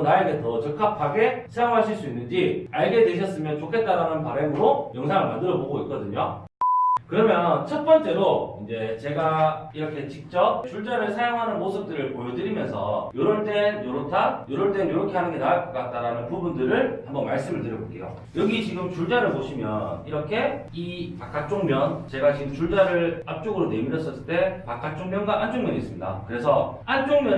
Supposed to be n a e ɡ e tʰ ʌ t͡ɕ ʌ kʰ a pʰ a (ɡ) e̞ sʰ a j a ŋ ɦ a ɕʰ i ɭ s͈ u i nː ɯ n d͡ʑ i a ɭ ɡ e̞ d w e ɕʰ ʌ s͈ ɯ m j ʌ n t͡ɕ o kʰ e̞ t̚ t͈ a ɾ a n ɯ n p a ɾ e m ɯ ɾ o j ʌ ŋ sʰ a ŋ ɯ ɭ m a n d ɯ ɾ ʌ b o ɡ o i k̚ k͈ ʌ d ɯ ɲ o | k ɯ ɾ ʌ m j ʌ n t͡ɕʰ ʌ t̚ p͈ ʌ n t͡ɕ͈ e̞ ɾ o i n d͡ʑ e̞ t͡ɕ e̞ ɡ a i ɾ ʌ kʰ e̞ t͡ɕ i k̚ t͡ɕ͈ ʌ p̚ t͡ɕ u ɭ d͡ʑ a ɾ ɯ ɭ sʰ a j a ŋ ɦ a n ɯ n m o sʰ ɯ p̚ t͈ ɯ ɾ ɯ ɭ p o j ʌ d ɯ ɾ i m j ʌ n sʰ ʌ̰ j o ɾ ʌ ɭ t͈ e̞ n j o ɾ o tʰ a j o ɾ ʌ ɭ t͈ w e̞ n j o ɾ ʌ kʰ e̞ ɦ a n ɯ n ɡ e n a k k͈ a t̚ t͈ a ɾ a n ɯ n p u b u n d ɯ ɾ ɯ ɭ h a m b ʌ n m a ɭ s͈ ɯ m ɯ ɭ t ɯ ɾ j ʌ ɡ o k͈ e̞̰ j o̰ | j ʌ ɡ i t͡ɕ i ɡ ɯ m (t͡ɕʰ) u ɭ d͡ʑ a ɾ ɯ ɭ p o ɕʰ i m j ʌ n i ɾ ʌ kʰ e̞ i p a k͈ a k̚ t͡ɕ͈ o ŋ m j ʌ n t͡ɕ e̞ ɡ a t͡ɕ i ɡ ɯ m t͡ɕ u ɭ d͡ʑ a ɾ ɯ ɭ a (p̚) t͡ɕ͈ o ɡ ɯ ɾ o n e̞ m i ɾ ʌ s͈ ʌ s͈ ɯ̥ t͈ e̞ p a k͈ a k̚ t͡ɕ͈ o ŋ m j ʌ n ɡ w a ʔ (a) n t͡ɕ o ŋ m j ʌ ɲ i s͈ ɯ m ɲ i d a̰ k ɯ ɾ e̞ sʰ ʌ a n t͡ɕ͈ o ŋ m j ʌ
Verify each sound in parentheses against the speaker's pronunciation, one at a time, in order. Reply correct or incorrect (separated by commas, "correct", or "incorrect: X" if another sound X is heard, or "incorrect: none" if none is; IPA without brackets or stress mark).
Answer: correct, incorrect: t͡ɕ, correct, correct